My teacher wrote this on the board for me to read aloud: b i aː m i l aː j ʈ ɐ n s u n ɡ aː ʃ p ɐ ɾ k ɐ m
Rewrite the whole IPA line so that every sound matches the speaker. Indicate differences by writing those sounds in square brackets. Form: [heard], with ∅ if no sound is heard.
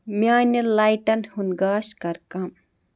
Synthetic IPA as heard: [m] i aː [n] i l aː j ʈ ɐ n [h] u n ɡ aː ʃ [k] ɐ ɾ k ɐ m